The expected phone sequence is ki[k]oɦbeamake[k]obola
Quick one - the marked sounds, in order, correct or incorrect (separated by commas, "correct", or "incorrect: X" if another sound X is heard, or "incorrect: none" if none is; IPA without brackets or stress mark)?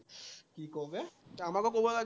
correct, correct